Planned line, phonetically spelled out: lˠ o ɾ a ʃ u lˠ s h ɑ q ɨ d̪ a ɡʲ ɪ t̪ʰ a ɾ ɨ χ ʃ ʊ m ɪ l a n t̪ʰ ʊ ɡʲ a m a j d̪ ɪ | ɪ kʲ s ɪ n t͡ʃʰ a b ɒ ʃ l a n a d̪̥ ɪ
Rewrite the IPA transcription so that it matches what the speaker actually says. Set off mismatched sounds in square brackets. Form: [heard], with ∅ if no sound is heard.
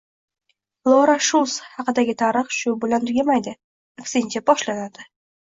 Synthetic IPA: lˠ o ɾ a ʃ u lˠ s h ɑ q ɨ d̪ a ɡʲ ɪ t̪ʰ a ɾ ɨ χ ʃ ʊ [b] ɪ l a n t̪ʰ ʊ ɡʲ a m a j d̪ ɪ | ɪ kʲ s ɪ n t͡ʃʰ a b ɒ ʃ l a n a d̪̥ ɪ